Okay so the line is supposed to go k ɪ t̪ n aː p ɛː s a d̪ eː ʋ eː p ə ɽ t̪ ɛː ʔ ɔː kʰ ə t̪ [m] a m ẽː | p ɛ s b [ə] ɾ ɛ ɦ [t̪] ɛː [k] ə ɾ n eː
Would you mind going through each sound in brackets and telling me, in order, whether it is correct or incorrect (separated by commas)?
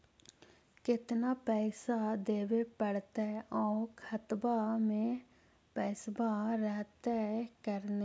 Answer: incorrect, incorrect, correct, correct